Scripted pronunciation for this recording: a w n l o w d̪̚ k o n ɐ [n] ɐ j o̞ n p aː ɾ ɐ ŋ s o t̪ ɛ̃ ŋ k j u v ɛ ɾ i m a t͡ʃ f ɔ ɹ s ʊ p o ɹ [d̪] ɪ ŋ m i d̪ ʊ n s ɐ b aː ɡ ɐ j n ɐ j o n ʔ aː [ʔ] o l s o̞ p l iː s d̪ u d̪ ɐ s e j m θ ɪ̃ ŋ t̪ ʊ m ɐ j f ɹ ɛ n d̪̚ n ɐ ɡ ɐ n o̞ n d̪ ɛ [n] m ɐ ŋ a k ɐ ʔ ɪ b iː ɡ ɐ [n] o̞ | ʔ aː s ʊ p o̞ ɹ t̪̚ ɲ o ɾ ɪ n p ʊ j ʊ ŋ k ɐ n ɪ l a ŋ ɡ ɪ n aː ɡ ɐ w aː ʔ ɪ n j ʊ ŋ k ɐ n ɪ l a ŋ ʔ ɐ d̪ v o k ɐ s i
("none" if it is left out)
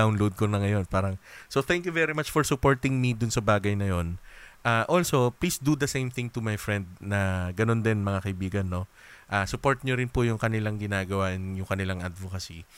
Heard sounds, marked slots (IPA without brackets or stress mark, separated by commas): ŋ, t̪, ʔ, n, nː